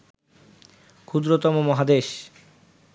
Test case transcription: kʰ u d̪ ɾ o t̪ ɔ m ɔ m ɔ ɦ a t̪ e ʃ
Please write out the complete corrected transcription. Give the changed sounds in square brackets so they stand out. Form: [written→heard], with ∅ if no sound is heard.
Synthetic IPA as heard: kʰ u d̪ ɾ o t̪ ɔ m [ɔ→o] m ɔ ɦ a [t̪→d̪] e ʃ